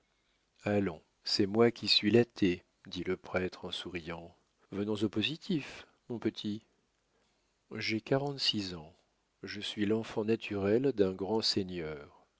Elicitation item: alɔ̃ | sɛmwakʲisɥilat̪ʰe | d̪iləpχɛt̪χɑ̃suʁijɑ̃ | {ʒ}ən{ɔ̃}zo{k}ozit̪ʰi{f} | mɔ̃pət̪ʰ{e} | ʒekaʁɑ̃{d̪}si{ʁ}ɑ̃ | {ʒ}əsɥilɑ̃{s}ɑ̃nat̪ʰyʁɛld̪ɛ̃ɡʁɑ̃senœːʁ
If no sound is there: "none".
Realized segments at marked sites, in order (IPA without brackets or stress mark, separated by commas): v, ɔ̃, p, f, i, t̪, z, ʒ, f